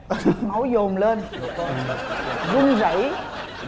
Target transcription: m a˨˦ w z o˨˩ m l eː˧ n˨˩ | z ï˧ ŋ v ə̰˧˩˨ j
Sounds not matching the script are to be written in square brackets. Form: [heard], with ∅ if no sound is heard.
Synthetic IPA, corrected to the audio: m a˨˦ w z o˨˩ m l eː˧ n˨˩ | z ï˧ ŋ [z] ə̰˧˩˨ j